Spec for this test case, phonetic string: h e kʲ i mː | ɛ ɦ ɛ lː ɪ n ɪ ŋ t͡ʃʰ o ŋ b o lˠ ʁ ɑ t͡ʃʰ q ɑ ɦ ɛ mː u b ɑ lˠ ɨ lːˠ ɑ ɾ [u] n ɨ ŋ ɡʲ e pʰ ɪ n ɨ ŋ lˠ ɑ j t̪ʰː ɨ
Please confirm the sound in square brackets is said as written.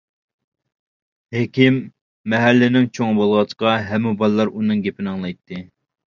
yes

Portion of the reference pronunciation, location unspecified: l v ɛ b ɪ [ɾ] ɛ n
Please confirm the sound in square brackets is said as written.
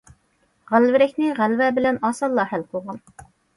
no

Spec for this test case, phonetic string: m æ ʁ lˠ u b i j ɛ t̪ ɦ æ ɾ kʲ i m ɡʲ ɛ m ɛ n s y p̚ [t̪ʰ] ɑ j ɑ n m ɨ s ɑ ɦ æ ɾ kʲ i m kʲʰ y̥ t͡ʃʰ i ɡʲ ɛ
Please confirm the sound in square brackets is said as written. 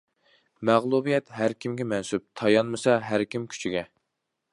yes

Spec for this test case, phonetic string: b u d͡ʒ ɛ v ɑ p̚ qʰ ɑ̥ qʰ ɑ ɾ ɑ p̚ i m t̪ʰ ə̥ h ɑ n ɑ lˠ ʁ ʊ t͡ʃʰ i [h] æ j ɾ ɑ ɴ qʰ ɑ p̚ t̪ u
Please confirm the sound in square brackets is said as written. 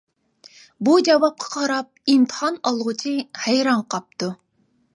yes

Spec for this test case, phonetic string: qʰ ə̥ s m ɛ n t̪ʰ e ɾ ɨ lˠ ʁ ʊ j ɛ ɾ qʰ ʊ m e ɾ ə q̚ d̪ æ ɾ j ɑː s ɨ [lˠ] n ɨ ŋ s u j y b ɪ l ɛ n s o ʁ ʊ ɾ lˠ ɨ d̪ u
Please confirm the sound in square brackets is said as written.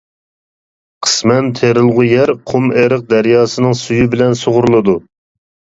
no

